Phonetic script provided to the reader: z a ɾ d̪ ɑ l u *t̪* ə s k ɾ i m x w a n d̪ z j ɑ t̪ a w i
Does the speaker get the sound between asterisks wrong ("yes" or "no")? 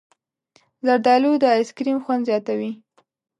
yes